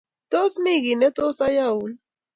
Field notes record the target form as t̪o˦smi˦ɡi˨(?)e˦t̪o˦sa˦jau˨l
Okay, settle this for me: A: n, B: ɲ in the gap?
A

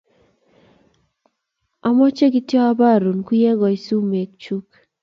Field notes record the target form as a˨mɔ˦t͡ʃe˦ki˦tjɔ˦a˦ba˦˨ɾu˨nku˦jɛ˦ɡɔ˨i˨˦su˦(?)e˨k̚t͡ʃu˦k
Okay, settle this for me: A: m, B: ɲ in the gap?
A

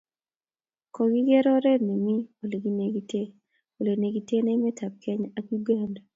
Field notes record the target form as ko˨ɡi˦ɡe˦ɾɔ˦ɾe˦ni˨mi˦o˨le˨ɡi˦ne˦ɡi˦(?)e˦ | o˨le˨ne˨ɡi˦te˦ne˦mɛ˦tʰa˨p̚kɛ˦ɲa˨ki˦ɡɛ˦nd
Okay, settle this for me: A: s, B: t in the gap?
B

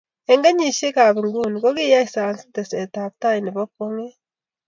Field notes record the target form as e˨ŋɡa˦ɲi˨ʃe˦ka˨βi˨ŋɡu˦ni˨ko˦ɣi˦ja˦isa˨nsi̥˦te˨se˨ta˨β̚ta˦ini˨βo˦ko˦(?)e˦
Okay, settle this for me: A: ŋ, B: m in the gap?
A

